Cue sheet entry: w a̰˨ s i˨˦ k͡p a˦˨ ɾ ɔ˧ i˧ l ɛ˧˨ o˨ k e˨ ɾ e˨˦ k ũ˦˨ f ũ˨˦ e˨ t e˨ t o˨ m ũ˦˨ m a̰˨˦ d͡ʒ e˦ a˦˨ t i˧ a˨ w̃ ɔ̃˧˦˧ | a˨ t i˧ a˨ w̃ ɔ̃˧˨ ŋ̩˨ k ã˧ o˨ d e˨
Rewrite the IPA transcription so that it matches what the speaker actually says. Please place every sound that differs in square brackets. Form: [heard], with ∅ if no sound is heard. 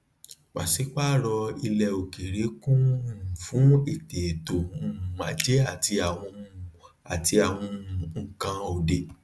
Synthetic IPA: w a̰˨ s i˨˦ k͡p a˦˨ ɾ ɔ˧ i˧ l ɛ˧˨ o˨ k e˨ ɾ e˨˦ k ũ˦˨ f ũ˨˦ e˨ t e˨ t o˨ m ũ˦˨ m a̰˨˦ d͡ʒ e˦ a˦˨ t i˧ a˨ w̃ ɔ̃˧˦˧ | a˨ t i˧ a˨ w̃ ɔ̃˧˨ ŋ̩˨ k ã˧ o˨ d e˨